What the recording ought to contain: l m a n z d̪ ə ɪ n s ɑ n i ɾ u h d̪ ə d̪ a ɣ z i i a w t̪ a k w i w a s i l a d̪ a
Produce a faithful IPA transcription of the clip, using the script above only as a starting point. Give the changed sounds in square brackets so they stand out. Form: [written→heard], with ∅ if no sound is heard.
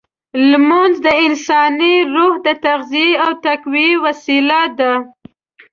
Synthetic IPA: l m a n z d̪ ə ɪ n s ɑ n i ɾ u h d̪ ə [d̪→t̪] a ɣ z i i a w t̪ a k w i w a s i l a d̪ a